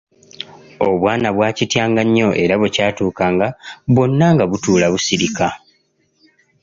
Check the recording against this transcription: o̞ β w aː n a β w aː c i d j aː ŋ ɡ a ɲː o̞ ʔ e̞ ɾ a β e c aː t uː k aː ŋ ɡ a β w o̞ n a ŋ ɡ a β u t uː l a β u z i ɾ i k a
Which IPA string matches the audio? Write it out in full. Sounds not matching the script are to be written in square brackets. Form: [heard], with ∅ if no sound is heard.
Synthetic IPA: o̞ β w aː n a β w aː c i [t] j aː ŋ ɡ a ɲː o̞ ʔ e̞ ɾ a β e c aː t uː k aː ŋ ɡ a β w o̞ [nː] a ŋ ɡ a β u t uː l a β u [s] i ɾ i k a